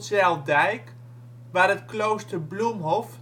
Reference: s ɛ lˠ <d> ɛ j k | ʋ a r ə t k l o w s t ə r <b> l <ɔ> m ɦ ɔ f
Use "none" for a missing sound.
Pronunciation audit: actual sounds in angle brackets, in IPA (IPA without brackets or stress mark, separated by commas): d, b, u